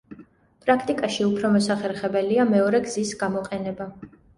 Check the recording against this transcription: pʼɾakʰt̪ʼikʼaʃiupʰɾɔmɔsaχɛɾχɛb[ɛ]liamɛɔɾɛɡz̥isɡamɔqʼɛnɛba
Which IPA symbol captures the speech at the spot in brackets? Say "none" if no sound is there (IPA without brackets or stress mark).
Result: ɛ